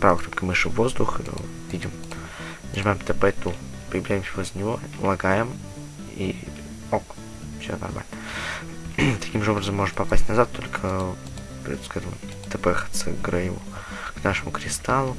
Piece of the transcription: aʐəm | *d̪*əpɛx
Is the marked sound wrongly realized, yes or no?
yes